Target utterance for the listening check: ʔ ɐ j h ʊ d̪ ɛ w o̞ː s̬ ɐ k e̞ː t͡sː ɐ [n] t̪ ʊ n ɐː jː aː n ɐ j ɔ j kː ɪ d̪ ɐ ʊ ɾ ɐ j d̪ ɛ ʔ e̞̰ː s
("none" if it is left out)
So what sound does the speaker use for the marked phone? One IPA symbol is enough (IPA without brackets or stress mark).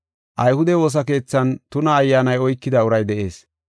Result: n